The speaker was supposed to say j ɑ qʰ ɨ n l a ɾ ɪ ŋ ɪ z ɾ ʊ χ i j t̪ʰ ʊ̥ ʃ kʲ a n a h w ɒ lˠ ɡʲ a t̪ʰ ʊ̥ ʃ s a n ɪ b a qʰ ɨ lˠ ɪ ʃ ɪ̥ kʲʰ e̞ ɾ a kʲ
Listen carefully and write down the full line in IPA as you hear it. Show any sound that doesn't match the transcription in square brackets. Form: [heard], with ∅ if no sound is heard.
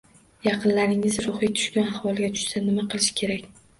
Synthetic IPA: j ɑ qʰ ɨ n l a ɾ ɪ ŋ ɪ z ɾ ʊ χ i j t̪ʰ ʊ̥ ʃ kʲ a n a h w ɒ lˠ ɡʲ a t̪ʰ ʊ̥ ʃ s a n ɪ [m] a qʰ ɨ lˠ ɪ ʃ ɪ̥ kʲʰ e̞ ɾ a kʲ

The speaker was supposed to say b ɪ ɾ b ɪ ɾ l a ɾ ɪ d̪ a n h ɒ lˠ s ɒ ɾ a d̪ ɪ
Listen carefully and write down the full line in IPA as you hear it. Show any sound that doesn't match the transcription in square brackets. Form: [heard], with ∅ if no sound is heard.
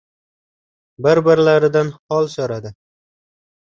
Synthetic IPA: b ɪ ɾ b ɪ ɾ l a ɾ ɪ d̪ a n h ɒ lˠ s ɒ ɾ a d̪ ɪ

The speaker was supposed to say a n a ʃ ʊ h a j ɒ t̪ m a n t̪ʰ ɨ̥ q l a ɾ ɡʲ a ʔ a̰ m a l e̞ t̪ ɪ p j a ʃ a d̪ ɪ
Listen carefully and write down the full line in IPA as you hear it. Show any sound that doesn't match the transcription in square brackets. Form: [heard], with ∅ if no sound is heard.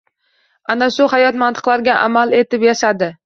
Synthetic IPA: a n a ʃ ʊ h a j ɒ t̪ m a n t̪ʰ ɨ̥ q l a ɾ ɡʲ a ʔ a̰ m a l e̞ t̪ ɪ p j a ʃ a d̪ ɪ

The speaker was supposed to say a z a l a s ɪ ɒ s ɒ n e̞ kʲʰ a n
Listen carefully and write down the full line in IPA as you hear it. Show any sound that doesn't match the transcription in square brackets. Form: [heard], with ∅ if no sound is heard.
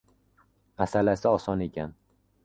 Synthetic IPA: a [s] a l a s ɪ ɒ s ɒ n e̞ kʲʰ a n

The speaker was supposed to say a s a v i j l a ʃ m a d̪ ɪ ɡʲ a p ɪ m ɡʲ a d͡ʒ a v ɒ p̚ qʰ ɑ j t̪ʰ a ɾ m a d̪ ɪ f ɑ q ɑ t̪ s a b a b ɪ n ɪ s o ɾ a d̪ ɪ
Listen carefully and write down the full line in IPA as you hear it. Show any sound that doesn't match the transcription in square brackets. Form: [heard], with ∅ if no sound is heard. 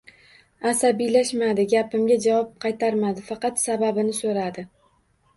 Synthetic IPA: a s a [b] i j l a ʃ m a d̪ ɪ ɡʲ a p ɪ m ɡʲ a d͡ʒ a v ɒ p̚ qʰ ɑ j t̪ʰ a ɾ m a d̪ ɪ f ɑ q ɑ t̪ s a b a b ɪ n ɪ s o ɾ a d̪ ɪ

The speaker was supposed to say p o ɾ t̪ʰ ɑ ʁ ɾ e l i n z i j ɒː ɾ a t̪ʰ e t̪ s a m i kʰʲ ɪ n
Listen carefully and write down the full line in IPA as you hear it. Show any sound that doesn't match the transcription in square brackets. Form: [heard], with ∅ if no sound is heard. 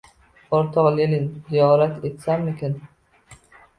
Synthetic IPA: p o ɾ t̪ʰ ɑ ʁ [l] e l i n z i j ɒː ɾ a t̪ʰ e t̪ s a m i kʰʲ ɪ n

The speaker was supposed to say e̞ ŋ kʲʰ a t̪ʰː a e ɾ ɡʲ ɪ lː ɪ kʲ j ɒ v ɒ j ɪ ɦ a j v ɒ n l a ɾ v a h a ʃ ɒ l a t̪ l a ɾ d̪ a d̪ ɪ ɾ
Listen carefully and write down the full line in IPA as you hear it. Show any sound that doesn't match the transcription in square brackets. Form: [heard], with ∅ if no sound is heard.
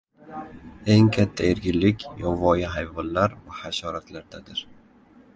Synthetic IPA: e̞ ŋ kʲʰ a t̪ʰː a e ɾ ɡʲ ɪ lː ɪ kʲ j ɒ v ɒ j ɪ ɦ a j v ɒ n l a ɾ v a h a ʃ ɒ [ɾ] a t̪ l a ɾ d̪ a d̪ ɪ ɾ

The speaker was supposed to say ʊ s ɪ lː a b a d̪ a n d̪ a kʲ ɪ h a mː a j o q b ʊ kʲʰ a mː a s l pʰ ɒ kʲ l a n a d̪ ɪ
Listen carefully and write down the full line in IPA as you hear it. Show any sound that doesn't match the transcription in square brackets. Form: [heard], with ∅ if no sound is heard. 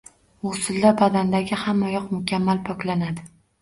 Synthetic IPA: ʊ s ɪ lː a b a d̪ a n d̪ a [ɡʲ] ɪ h a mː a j [ɒ] q [m] ʊ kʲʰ a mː a [∅] l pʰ ɒ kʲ l a n a d̪ ɪ

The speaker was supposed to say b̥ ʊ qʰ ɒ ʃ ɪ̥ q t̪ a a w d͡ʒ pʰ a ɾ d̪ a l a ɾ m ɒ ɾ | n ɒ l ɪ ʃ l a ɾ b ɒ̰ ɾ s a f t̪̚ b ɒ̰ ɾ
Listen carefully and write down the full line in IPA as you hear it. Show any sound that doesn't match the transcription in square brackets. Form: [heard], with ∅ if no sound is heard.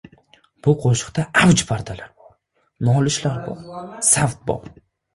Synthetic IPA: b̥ ʊ qʰ [o] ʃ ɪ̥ q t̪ a a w d͡ʒ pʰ a ɾ d̪ a l a ɾ [b] ɒ ɾ | n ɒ l ɪ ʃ l a ɾ b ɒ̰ ɾ s a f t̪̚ b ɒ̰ ɾ

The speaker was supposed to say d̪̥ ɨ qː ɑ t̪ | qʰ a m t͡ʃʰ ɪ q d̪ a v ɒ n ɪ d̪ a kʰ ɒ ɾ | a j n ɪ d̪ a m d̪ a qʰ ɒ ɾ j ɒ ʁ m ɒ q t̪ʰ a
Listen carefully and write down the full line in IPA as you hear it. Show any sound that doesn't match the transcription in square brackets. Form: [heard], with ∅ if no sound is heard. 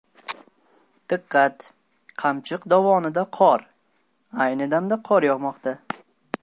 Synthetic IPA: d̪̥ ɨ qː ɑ t̪ | qʰ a m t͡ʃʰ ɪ q d̪ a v ɒ n ɪ d̪ a [qʰ] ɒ ɾ | a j n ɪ d̪ a m d̪ a qʰ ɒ ɾ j ɒ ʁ m ɒ q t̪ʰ a

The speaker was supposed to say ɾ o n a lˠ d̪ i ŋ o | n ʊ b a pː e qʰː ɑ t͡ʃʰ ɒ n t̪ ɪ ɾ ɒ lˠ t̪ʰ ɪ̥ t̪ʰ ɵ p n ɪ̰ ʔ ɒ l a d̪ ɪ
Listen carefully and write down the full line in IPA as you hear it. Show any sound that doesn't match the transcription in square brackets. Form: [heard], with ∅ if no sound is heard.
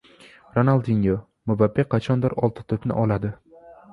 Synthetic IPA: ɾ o n a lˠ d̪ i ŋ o | [m] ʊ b a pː e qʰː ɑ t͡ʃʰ ɒ n [d̪] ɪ ɾ ɒ lˠ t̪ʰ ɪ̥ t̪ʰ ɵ p n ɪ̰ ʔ ɒ l a d̪ ɪ

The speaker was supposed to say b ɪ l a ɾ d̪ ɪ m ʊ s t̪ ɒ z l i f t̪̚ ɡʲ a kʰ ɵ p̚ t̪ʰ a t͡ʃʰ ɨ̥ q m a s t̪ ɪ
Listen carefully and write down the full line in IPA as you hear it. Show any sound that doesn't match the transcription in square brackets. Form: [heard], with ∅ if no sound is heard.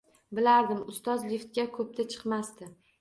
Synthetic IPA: b ɪ l a ɾ d̪ ɪ m ʊ s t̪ ɒ z l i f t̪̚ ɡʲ a kʰ ɵ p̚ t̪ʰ a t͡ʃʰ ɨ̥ q m a s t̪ ɪ

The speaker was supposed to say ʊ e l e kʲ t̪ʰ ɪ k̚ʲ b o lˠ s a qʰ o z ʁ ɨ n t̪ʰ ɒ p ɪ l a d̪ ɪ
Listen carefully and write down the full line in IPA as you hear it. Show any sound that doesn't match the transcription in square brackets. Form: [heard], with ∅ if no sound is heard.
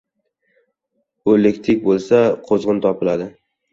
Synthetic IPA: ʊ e l e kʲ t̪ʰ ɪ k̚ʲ b o lˠ s a qʰ o z ʁ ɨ n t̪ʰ ɒ p ɪ l a d̪ ɪ

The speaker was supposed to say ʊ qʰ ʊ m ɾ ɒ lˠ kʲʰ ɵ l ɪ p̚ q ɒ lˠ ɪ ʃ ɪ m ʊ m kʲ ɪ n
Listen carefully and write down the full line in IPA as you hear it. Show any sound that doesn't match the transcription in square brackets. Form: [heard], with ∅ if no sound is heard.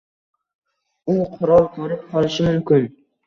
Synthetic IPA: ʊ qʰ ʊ [∅] ɾ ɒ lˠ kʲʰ ɵ [ɾ] ɪ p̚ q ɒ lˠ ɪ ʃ ɪ m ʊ m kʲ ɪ n

